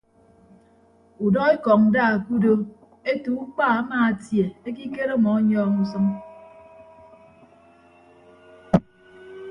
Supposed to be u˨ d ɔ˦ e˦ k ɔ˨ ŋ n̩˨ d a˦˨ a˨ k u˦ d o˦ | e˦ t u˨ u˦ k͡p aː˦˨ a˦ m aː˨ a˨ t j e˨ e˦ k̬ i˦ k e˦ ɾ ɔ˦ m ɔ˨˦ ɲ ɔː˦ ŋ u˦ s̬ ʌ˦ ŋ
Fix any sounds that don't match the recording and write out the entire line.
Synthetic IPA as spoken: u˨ d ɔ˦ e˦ k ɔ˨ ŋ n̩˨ d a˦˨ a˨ k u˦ d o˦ | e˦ t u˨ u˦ k͡p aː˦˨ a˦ m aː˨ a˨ t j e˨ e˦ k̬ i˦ k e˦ ɾ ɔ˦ m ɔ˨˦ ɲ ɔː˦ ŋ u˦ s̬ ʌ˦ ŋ